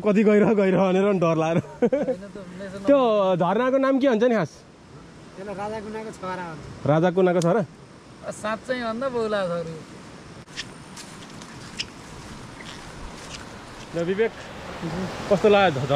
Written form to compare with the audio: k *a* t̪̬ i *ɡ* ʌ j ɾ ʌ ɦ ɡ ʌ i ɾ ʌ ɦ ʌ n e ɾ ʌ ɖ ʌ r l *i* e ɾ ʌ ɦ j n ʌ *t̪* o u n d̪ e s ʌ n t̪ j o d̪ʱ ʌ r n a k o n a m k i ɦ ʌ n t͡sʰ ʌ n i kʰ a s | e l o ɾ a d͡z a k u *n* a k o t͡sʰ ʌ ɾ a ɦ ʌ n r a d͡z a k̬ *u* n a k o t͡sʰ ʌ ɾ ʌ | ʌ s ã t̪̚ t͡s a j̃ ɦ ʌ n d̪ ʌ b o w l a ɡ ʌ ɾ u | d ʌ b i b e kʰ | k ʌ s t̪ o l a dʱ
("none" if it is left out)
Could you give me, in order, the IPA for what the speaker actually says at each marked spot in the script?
ʌ, ɡ, a, t̪, n, u

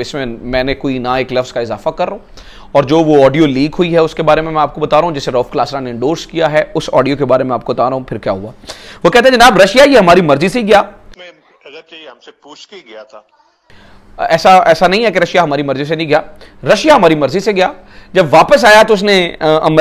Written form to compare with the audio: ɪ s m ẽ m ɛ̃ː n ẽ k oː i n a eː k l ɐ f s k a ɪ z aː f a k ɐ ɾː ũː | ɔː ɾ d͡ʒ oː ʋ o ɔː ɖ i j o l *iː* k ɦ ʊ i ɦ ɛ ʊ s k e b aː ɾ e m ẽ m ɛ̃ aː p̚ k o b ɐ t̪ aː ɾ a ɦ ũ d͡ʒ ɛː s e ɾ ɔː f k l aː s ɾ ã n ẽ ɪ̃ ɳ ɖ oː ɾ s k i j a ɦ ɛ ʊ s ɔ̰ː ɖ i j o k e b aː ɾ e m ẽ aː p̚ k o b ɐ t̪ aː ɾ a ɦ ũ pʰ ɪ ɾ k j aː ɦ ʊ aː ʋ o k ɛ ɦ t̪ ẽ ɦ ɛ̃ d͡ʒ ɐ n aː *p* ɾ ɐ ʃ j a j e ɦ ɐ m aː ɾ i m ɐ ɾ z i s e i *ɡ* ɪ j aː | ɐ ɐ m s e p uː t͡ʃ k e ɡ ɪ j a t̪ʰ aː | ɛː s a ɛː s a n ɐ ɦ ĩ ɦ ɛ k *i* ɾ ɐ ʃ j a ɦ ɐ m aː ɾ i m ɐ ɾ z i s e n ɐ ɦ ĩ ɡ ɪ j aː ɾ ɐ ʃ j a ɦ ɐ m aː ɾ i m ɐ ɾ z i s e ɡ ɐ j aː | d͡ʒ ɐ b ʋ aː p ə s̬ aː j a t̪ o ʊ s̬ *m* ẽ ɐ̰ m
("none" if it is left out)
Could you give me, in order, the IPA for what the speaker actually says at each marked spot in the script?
iː, b, ɡ, e, n

